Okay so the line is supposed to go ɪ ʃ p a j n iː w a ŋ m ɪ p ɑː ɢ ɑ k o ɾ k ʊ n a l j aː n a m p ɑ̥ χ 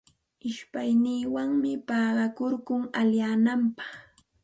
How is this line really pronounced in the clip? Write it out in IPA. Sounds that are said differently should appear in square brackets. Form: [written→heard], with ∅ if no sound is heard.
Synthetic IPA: ɪ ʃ p a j n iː w a ŋ m ɪ p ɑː ɢ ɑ k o ɾ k ʊ [n→ŋ] a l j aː n a m p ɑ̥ χ